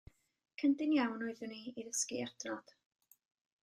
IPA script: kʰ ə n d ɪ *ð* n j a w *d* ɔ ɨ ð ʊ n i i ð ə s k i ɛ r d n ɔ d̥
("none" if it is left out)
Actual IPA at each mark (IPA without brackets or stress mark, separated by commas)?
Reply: none, n